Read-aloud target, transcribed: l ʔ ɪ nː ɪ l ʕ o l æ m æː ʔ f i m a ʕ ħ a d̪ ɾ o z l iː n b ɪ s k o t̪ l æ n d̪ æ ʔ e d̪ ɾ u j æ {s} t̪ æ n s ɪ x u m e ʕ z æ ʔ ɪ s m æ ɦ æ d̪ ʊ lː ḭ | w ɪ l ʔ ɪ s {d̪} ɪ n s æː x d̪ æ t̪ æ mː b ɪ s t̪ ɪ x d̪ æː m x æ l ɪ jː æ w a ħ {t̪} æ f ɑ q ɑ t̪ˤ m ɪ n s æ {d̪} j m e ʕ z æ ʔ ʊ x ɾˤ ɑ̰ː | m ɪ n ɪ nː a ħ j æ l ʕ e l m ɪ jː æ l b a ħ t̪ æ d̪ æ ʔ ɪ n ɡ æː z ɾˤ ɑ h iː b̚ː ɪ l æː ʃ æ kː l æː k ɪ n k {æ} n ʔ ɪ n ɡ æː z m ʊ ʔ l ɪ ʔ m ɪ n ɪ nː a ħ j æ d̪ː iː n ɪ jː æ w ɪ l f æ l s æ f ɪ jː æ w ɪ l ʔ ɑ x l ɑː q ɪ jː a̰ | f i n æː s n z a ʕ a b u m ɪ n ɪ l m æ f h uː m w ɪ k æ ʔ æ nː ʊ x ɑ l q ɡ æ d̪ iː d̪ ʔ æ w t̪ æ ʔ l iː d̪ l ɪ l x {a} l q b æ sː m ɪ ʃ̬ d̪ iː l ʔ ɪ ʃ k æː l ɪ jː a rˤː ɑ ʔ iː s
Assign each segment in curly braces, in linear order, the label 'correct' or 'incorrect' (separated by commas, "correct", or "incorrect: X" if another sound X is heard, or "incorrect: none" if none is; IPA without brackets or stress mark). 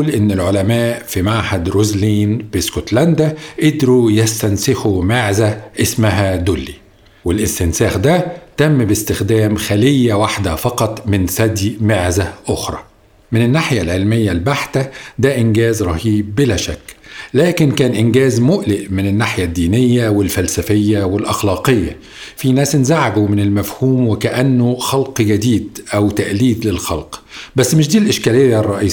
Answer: correct, incorrect: t̪, incorrect: d̪, correct, incorrect: æː, incorrect: ɑ